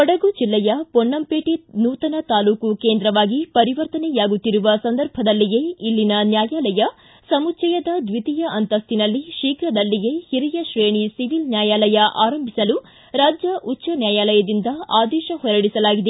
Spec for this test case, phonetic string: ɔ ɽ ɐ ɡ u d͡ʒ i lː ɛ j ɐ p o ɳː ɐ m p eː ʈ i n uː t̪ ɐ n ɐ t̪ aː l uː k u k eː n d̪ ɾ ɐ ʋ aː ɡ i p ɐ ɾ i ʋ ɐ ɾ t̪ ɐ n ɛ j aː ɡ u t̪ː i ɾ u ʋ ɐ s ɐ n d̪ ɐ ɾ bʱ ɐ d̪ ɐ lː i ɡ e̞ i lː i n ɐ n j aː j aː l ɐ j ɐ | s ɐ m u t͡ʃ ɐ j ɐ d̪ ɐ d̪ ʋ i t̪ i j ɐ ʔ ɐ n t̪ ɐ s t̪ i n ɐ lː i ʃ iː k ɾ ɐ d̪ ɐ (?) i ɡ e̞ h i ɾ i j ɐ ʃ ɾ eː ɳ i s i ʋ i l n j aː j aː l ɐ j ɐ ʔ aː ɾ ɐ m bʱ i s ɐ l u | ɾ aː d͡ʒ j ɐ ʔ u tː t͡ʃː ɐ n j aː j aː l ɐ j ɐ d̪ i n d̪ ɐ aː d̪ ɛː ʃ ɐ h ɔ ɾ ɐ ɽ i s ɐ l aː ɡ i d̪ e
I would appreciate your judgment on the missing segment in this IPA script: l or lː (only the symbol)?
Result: lː